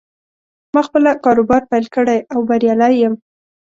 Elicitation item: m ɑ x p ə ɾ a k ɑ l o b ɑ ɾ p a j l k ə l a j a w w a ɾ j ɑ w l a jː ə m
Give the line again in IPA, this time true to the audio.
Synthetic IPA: m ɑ x p ə l a k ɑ ɾ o b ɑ ɾ p a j l k ə ɽ a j a w b a ɾ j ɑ l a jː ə m